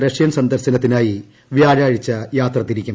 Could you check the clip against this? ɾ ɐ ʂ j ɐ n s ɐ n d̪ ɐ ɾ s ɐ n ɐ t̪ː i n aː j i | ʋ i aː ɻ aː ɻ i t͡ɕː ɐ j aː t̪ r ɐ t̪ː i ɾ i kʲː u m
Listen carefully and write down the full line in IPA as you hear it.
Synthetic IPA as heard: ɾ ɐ ʂ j ɐ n s ɐ n d̪ ɐ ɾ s ɐ n ɐ t̪ː i n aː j i | ʋ j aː ɻ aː ɻ i t͡ɕː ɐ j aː t̪ r ɐ t̪ː i ɾ i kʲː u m

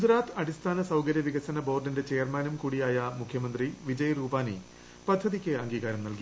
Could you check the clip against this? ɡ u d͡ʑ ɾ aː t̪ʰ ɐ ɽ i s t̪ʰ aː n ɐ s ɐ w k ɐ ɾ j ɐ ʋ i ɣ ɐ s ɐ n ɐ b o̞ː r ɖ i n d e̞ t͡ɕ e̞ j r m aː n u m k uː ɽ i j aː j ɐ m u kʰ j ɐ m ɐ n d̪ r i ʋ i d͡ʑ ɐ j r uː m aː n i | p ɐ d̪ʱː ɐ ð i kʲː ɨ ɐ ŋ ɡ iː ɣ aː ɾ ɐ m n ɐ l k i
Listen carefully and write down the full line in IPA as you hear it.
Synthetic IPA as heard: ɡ u d͡ʑ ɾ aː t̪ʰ ɐ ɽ i s t̪ʰ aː n ɐ s ɐ w k ɐ ɾ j ɐ ʋ i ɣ ɐ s ɐ n ɐ b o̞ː r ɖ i n d e̞ t͡ɕ e̞ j r m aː n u m k uː ɽ i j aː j ɐ m u kʰ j ɐ m ɐ n d̪ r i ʋ i d͡ʑ ɐ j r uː b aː n i | p ɐ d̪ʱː ɐ ð i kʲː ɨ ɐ ŋ ɡ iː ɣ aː ɾ ɐ m n ɐ l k i

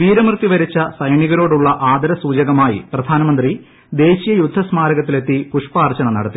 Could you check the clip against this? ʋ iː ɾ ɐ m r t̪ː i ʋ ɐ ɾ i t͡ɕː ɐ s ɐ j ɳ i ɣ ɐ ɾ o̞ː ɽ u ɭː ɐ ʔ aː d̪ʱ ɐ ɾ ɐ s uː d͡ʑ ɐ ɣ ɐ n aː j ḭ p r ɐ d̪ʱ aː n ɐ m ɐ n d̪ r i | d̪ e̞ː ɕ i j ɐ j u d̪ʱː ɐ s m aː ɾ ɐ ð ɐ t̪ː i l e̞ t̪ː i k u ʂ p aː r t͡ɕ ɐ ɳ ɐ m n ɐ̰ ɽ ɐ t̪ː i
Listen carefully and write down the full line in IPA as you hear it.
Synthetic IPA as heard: ʋ iː ɾ ɐ m r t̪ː i ʋ ɐ ɾ i t͡ɕː ɐ s ɐ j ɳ i ɣ ɐ ɾ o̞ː ɽ u ɭː ɐ ʔ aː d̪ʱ ɐ ɾ ɐ s uː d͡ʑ ɐ ɣ ɐ m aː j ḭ p r ɐ d̪ʱ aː n ɐ m ɐ n d̪ r i | d̪ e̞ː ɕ i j ɐ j u d̪ʱː ɐ s m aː ɾ ɐ ɣ ɐ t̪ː i l e̞ t̪ː i k u ʂ p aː r t͡ɕ ɐ ɳ ɐ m n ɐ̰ ɽ ɐ t̪ː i

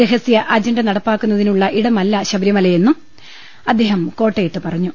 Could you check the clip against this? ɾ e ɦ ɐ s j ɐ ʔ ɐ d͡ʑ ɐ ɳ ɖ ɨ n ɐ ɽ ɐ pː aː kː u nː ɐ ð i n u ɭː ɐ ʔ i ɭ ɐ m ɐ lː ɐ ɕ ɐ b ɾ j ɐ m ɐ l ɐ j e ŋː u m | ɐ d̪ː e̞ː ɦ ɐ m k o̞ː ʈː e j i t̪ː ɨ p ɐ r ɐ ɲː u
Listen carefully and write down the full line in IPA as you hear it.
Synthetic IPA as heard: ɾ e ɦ ɐ s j ɐ ʔ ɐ d͡ʑ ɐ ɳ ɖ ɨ n ɐ ɽ ɐ pː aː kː u nː ɐ ð i n u ɭː ɐ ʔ i ɽ ɐ m ɐ lː ɐ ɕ ɐ b ɾ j ɐ m ɐ l ɐ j e nː u m | ɐ d̪ː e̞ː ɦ ɐ m k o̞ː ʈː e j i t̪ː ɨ p ɐ r ɐ ɲː u

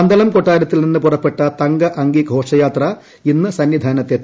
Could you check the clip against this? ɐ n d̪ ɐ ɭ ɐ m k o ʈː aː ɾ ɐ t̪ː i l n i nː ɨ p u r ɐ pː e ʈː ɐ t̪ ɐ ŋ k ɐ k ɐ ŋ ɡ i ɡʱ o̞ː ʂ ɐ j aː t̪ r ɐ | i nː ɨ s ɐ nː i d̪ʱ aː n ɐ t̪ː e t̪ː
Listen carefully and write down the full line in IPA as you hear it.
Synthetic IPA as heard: ɐ n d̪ ɐ l ɐ m k o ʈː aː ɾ ɐ t̪ː i l n i nː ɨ p u r ɐ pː e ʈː ɐ t̪ ɐ ŋ ɡ ɐ ʔ ɐ ŋ ɡ i ɡʱ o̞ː ʂ ɐ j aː t̪ r ɐ | i nː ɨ s ɐ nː i d̪ʱ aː n ɐ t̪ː e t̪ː

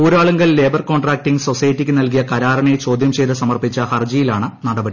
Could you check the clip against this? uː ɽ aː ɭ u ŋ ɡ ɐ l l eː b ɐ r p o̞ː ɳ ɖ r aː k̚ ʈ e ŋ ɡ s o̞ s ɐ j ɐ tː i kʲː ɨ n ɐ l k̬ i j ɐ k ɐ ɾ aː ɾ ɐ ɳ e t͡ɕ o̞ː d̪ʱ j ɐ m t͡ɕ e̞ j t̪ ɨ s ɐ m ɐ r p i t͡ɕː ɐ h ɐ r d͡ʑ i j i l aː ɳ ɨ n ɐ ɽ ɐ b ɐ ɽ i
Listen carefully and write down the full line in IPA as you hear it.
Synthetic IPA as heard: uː ɾ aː ɭ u ŋ ɡ ɐ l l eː b ɐ r k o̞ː ɳ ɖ r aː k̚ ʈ i ŋ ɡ s o̞ s ɐ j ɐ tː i kʲː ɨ n ɐ l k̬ i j ɐ k ɐ ɾ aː ɾ ɐ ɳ e t͡ɕ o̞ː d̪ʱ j ɐ m t͡ɕ e̞ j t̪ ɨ s ɐ m ɐ r p i t͡ɕː ɐ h ɐ r d͡ʑ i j i l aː ɳ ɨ n ɐ ɽ ɐ b ɐ ɽ i

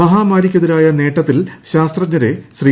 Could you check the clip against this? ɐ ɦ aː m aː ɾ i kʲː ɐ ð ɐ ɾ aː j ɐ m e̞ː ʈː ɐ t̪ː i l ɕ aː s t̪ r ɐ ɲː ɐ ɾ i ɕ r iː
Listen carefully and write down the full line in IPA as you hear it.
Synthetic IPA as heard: ɐ ɦ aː m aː ɾ i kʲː ɐ ð ɐ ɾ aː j ɐ n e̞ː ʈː ɐ t̪ː i l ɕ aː s t̪ r ɐ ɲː ɐ ɾ e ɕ r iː

